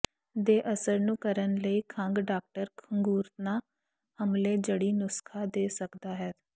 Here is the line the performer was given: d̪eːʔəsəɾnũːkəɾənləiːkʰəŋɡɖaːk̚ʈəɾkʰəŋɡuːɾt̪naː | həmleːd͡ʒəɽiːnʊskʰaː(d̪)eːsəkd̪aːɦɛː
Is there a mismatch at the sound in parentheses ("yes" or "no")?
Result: no